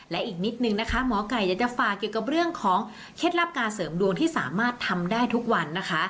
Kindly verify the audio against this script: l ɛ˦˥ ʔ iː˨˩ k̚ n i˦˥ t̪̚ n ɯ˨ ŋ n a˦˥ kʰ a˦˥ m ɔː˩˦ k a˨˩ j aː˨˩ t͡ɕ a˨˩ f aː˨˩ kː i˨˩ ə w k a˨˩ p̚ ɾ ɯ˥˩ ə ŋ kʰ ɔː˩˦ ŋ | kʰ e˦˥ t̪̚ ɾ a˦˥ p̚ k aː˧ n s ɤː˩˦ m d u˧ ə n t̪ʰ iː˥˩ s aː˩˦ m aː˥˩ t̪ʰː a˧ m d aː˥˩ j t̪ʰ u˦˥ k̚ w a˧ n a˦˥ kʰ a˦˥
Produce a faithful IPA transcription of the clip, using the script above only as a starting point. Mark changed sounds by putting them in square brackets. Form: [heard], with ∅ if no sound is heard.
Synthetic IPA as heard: l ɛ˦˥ ʔ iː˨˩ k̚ n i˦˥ t̪̚ n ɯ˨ ŋ n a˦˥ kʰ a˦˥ m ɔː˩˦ k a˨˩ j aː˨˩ t͡ɕ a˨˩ f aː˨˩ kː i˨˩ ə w k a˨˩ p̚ ɾ ɯ˥˩ ə ŋ kʰ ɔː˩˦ ŋ | kʰ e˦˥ t̪̚ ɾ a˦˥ p̚ k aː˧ n s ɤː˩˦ m d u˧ ə [ŋ] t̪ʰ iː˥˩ s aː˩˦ m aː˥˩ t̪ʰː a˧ m d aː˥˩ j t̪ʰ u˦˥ k̚ w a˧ [nː] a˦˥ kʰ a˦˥